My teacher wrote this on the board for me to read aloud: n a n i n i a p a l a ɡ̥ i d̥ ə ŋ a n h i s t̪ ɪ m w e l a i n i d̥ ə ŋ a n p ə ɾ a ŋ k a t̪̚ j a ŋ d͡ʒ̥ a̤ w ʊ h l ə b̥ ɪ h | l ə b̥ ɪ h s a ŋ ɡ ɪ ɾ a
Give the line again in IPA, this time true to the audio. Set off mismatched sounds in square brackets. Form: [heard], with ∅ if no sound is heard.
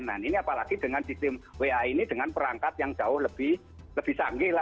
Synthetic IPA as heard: n a n i n i a p a l a ɡ̥ i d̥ ə ŋ a n [s] i s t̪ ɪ m w e [∅] a i n i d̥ ə ŋ a n p ə ɾ a ŋ k a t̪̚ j a ŋ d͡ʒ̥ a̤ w ʊ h l ə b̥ ɪ h | l ə b̥ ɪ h s a ŋ ɡ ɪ [l] a

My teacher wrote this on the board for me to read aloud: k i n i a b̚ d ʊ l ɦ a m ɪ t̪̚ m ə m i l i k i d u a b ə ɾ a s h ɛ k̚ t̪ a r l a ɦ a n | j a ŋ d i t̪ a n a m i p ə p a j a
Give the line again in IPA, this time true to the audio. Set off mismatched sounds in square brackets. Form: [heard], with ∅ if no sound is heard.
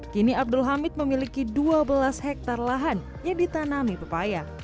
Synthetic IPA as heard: k i n i a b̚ d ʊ l ɦ a m ɪ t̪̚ m ə m i l i k i d u a b ə [l] a s h ɛ k̚ t̪ a r l a ɦ a n | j a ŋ d i t̪ a n a m i p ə p a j a

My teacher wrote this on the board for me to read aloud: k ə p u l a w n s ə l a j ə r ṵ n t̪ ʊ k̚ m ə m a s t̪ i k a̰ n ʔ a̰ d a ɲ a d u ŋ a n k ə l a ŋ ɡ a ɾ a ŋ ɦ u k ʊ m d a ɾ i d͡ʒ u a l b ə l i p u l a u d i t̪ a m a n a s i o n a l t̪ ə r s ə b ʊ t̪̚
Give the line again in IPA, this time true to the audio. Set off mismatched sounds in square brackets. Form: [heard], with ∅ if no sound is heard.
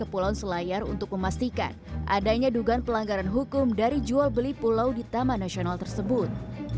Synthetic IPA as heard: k ə p u l a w n s ə l a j [a] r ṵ n t̪ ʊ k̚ m ə m a s t̪ i k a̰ n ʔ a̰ d a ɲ a d u [ɡ] a n [p] ə l a ŋ ɡ a ɾ a [n] ɦ u k ʊ m d a ɾ i d͡ʒ u a l b ə l i p u l a [w] d i t̪ a m a n a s i o n a l t̪ ə r s ə b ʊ t̪̚

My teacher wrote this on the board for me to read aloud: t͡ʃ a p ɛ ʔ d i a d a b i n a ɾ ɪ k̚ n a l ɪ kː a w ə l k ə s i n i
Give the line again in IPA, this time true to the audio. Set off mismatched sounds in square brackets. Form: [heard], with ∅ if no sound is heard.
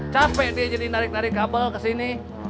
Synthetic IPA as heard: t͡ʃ a p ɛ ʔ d i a [d͡ʒ] a [d] i n a ɾ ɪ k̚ n a [ɾ] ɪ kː a [b] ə l k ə s i n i

